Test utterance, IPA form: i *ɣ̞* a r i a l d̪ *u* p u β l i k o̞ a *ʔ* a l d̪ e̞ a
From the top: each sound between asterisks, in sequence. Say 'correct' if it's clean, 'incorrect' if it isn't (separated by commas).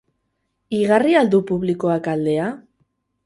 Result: correct, correct, incorrect